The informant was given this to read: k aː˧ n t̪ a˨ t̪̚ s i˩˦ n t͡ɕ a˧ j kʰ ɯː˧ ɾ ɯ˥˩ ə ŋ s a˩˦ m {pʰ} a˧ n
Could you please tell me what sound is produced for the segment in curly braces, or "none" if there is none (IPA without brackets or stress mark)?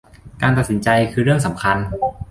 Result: kʰ